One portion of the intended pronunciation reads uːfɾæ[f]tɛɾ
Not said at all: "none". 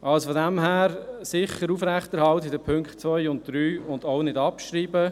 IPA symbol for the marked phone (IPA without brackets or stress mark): χ